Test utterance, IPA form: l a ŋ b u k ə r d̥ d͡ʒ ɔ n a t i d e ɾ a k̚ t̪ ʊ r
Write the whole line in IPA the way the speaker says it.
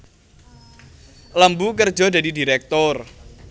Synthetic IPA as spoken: l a m b u k ə r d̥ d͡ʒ ɔ d a d i d i ɾ ɛ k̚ t̪ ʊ r